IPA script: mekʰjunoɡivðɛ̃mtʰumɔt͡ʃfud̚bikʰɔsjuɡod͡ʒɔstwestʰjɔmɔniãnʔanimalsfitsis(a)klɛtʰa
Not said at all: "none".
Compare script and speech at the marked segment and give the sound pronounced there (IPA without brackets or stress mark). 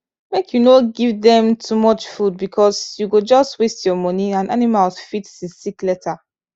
i